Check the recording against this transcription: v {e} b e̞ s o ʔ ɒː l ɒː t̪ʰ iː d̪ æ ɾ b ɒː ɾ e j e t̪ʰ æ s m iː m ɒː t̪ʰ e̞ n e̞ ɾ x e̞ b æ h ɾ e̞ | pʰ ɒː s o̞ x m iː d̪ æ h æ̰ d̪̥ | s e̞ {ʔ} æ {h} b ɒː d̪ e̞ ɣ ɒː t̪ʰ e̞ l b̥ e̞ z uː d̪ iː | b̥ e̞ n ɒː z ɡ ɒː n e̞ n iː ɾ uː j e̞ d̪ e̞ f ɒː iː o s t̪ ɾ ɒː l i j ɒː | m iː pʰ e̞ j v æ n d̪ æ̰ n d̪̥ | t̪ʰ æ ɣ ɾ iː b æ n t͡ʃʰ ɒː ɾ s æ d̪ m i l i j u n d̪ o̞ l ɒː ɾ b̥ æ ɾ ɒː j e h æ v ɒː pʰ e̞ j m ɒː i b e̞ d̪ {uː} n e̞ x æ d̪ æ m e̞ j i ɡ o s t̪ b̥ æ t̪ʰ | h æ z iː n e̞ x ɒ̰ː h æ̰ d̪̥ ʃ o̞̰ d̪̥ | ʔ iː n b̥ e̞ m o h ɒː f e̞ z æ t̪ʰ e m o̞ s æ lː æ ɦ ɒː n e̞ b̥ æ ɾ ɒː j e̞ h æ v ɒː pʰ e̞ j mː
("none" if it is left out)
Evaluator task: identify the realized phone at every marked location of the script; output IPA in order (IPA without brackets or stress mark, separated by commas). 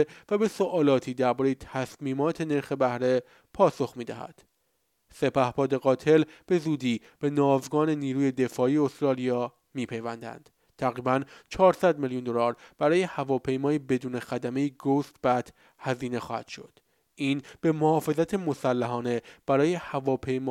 æ, p, h, uː